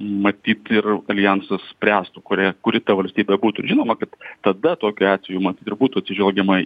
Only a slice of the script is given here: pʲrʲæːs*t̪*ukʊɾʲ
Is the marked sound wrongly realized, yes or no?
no